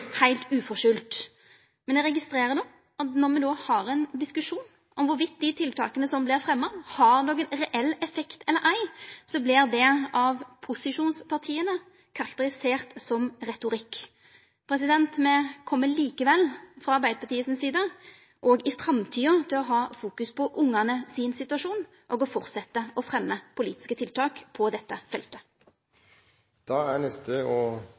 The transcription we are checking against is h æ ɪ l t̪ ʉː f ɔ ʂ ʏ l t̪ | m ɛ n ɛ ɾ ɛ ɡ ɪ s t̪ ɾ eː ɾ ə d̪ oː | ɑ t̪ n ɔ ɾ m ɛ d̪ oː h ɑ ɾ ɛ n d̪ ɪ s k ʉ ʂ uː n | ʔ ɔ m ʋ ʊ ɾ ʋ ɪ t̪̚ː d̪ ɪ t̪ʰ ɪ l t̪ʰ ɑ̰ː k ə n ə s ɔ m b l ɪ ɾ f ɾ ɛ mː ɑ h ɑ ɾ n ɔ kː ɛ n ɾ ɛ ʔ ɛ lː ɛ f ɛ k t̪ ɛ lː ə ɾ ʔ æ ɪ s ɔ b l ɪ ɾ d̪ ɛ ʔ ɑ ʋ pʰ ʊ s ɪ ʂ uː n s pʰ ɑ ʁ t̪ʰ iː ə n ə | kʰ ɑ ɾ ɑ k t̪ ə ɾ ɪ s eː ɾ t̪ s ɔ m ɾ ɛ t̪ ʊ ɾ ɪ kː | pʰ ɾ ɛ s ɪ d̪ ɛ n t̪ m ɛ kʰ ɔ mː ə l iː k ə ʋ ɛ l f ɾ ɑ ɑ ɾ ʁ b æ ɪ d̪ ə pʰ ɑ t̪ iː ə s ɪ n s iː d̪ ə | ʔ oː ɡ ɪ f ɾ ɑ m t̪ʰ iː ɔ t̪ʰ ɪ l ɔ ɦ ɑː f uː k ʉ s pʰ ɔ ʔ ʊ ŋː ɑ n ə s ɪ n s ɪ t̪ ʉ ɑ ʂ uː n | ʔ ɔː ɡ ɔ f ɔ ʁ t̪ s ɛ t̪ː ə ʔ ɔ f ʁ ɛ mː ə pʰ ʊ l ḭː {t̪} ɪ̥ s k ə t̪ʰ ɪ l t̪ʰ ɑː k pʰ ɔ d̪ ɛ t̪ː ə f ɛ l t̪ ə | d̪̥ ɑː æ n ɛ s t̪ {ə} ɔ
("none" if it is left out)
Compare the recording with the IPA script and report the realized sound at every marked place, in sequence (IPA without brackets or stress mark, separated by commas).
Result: t̪, ə